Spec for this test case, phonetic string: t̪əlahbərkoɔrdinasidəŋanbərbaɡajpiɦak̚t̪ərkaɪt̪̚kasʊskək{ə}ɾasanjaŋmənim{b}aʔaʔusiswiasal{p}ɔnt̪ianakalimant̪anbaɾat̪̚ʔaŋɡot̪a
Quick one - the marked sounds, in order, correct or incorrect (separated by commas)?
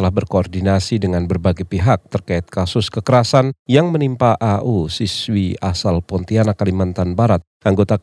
correct, incorrect, correct